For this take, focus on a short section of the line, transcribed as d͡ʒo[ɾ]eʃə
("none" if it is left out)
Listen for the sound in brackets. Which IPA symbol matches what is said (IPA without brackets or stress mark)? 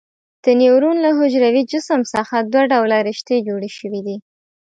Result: ɽ